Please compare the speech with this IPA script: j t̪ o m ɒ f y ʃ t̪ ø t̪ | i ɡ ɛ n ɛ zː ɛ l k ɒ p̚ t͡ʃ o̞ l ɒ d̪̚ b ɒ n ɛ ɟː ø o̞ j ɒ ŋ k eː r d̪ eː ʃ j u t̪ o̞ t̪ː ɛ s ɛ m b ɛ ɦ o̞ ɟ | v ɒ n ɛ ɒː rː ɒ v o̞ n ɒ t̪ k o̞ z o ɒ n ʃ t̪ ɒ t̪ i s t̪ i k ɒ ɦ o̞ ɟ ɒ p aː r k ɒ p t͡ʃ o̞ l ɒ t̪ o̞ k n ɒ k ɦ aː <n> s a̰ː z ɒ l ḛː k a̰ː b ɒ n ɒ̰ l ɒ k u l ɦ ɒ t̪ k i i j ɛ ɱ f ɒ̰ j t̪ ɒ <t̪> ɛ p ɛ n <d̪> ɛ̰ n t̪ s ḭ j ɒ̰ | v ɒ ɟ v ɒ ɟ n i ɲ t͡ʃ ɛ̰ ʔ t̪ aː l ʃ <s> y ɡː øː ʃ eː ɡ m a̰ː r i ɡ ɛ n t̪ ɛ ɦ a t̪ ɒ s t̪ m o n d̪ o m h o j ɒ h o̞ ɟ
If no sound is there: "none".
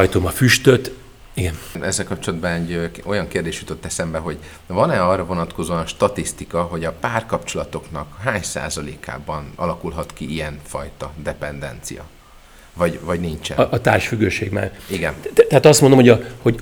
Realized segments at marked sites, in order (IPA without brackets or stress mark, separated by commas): ɲ, d̪, d̪, f